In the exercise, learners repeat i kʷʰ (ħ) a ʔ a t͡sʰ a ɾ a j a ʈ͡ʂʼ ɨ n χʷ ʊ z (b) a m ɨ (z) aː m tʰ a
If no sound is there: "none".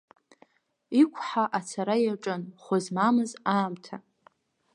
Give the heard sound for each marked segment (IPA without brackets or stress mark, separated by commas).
ħ, m, z